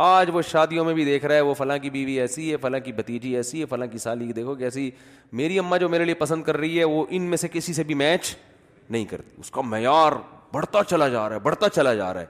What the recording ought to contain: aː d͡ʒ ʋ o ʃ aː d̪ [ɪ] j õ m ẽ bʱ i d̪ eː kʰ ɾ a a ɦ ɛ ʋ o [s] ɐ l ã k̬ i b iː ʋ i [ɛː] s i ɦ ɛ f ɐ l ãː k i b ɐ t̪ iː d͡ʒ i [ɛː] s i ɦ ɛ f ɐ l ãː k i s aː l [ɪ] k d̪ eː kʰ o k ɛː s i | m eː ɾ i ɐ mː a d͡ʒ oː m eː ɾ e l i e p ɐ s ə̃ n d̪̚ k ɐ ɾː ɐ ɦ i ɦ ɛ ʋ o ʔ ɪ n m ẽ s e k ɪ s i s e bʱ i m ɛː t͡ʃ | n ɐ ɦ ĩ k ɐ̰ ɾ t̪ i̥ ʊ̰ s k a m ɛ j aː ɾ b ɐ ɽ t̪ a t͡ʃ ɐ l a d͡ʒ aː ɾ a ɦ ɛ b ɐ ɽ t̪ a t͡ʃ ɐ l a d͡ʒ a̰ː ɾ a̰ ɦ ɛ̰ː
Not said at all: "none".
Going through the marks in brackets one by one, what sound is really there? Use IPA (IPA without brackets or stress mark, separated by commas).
i, f, ɛː, ɛː, i